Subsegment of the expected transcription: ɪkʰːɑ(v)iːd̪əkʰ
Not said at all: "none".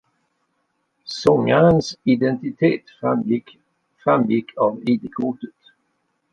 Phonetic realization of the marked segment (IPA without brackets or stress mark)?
v